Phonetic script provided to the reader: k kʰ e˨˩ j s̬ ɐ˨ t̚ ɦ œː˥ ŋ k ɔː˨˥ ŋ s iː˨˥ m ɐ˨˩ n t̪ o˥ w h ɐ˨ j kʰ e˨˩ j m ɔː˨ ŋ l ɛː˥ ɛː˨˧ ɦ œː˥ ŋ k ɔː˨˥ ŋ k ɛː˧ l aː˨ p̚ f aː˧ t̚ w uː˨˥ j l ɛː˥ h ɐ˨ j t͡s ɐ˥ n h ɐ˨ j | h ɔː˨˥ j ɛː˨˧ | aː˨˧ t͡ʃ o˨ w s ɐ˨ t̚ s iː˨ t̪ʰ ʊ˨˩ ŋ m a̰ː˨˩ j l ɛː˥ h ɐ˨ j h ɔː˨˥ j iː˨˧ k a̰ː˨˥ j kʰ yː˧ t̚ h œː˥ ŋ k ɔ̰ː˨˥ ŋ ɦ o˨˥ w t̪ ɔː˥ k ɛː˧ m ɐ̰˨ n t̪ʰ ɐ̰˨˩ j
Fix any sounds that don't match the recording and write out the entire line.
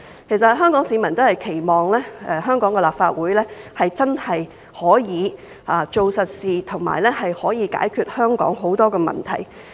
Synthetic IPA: k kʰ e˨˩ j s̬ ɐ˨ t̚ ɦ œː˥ ŋ k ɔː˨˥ ŋ s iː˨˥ m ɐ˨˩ n t̪ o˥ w h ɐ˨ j kʰ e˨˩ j m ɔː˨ ŋ l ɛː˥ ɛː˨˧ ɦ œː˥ ŋ k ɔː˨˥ ŋ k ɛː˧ l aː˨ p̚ f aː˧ t̚ w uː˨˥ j l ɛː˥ h ɐ˨ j t͡s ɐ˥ n h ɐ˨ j | h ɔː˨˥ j iː˨˧ | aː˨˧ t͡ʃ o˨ w s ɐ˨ t̚ s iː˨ t̪ʰ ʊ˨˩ ŋ m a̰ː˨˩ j l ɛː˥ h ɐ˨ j h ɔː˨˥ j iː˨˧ k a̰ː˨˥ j kʰ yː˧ t̚ h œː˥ ŋ k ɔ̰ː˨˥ ŋ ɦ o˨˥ w t̪ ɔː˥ k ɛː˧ m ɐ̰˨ n t̪ʰ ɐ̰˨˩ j